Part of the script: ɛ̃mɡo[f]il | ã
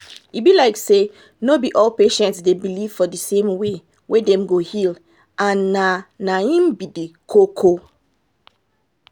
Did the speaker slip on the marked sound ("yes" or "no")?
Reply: yes